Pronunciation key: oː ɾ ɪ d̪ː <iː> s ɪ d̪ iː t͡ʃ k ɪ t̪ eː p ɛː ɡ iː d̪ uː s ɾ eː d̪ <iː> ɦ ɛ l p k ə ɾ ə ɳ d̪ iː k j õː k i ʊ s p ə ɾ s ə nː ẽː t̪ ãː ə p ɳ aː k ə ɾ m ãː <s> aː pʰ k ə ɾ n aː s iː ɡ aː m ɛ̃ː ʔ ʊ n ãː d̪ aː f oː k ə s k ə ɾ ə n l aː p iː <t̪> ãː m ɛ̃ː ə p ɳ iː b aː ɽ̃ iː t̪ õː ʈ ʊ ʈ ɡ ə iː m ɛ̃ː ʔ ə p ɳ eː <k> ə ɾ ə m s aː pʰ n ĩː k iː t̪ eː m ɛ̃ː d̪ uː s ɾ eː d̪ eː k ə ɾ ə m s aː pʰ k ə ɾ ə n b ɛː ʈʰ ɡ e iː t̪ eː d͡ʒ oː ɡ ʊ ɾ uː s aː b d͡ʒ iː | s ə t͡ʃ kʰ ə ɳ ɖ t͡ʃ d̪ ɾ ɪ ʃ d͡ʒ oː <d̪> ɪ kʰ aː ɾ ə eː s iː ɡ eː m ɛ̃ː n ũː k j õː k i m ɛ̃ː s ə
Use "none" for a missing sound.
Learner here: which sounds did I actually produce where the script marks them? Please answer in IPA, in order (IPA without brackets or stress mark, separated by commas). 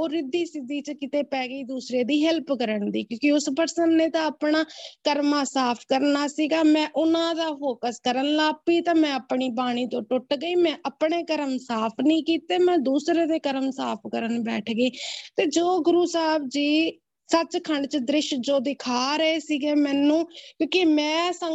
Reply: iː, iː, s, t̪, k, d̪